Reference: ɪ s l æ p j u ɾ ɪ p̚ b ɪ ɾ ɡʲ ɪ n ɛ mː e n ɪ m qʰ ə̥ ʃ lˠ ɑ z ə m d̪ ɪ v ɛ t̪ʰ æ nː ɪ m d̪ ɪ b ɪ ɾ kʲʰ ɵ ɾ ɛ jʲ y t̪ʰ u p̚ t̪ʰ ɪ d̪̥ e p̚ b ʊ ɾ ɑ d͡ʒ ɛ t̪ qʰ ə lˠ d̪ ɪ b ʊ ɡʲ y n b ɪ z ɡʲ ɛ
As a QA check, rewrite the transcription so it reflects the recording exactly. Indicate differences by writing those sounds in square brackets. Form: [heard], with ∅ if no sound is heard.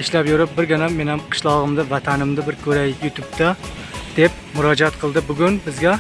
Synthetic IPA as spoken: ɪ [ʃ] l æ p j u ɾ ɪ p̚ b ɪ ɾ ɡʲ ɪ n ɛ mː e n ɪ m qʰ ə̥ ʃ lˠ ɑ [ʁ] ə m d̪ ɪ v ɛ t̪ʰ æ [n] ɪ m d̪ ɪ b ɪ ɾ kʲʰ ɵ ɾ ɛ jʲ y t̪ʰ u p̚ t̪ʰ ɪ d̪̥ e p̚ [m] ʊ ɾ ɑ d͡ʒ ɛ t̪ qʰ ə lˠ d̪ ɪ b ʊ ɡʲ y n b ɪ z ɡʲ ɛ